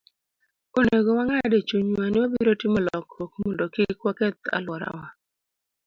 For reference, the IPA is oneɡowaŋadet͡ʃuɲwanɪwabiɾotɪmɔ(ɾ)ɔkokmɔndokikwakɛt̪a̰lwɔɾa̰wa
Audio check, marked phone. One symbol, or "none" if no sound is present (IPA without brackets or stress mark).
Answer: l